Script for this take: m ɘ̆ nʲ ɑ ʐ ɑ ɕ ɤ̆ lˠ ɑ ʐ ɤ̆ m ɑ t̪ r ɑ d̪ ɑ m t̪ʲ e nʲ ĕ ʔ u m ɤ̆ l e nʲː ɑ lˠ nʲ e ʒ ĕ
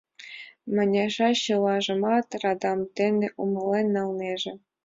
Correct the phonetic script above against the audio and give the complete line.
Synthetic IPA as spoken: m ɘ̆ nʲ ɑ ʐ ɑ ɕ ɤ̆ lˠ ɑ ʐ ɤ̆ m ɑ t̪ r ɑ d̪ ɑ m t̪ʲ e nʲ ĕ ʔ u m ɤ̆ l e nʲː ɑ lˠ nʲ e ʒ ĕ